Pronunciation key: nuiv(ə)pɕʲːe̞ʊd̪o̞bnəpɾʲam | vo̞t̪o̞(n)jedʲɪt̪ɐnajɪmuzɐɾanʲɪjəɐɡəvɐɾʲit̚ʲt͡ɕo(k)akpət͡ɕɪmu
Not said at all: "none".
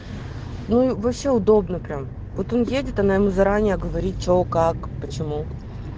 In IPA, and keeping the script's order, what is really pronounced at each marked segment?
ɐ, n, k

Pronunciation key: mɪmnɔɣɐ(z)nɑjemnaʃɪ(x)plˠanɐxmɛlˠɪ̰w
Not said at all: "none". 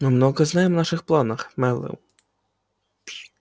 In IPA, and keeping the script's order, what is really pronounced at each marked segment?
z, x

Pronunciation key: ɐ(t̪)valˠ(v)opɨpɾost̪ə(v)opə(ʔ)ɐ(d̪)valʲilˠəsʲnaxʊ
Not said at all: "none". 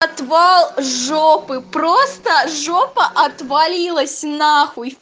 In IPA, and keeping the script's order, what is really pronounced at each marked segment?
t̪, ʐ, ʐ, ʔ, t̪

